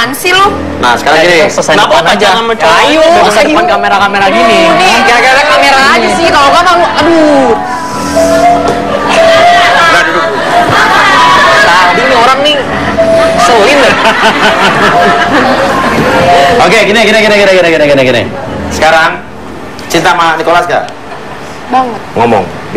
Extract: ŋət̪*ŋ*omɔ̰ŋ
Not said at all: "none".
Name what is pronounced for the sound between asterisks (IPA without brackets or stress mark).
ŋ